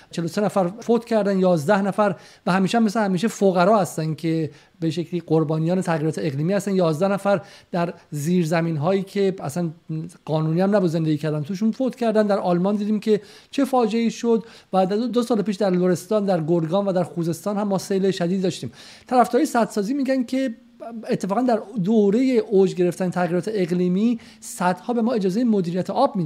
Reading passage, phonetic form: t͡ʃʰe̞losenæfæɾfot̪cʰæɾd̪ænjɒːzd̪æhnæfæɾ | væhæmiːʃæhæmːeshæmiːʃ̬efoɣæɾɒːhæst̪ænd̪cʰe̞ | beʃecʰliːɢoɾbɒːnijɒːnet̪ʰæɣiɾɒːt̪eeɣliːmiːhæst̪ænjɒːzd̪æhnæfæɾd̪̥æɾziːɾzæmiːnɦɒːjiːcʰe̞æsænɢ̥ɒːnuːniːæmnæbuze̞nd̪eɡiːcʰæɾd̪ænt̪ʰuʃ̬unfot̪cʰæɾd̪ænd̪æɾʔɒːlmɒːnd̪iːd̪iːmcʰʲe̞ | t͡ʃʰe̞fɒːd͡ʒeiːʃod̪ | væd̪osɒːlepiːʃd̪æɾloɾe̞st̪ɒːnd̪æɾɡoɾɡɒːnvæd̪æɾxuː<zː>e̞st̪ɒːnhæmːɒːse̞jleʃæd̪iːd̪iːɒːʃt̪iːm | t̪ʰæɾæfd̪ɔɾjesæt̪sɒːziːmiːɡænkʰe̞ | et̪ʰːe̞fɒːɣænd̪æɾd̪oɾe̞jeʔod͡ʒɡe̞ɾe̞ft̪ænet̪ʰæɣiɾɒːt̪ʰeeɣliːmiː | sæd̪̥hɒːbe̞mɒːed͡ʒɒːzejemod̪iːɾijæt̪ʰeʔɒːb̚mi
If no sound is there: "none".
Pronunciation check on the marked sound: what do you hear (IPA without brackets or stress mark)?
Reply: z